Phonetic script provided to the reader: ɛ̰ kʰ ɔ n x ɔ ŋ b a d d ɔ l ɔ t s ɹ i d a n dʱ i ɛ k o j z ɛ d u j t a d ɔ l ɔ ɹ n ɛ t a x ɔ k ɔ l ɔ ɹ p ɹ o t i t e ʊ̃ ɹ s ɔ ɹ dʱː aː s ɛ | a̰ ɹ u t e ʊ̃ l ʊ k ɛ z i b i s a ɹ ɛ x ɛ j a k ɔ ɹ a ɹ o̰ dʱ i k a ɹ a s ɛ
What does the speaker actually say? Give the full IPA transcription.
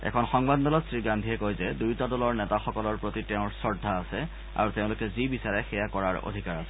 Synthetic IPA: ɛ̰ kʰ ɔ n x ɔ ŋ b a d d ɔ l ɔ t s ɹ i ɡ a n dʱ i ɛ k o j z ɛ d u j t a d ɔ l ɔ ɹ n ɛ t a x ɔ k ɔ l ɔ ɹ p ɹ o t i t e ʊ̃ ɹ s ɔ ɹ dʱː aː s ɛ | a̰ ɹ u t e ʊ̃ l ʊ k ɛ z i b i s a ɹ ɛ x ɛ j a k ɔ ɹ a ɹ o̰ dʱ i k a ɹ a s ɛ